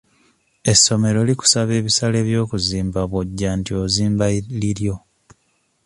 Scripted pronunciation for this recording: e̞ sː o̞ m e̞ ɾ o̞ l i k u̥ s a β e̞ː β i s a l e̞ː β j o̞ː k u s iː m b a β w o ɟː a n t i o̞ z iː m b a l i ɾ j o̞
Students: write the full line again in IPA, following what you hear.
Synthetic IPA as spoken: e̞ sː o̞ m e̞ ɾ o̞ l i k u̥ s a β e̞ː β i s a l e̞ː β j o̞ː k u z iː m b a β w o ɟː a n t i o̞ z iː m b a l i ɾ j o̞